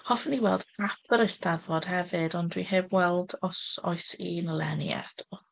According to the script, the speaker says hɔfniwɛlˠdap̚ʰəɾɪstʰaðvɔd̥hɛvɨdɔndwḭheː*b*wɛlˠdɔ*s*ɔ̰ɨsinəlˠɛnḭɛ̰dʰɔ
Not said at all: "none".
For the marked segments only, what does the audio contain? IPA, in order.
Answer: b, s

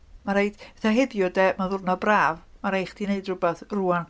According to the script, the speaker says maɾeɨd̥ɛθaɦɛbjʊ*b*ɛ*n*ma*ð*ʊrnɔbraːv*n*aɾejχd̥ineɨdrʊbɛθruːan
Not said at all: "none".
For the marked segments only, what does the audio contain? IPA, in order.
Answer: d, none, ð, m

